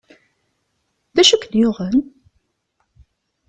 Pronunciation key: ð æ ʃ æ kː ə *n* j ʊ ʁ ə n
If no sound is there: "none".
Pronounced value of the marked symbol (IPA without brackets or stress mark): n